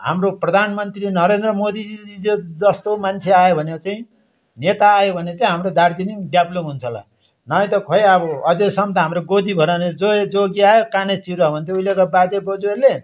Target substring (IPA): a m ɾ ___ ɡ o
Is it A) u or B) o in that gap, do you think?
B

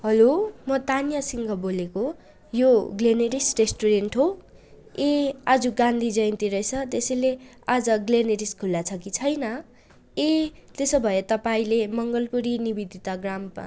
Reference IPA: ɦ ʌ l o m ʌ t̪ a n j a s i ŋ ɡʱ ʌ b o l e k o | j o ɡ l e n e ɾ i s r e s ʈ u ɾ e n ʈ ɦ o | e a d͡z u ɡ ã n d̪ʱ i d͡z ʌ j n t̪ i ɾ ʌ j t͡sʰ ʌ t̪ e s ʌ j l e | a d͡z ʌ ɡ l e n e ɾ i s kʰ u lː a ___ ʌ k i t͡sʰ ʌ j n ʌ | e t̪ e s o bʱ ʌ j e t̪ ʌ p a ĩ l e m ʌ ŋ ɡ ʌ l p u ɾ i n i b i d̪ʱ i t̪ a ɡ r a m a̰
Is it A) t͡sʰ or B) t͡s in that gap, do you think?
A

